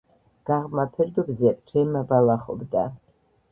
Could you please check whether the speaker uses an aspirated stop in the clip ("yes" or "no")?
yes